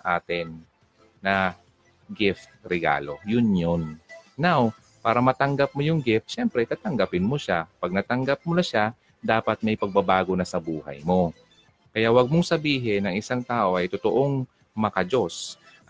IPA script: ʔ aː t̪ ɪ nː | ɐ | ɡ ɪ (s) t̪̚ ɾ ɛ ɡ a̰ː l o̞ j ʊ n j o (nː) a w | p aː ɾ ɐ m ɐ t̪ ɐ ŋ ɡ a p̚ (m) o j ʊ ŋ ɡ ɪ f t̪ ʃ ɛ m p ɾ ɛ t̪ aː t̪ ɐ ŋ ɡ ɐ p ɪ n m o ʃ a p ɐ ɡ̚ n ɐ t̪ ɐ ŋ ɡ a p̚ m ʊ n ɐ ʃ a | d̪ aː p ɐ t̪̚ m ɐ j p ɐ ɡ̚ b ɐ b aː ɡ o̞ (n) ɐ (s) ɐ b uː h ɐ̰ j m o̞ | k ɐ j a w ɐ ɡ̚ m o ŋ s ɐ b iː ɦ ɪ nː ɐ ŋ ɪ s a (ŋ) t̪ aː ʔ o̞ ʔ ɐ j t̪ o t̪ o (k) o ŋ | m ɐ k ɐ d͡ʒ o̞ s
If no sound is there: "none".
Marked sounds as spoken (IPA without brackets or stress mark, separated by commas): f, nː, m, n, s, ŋ, ʔ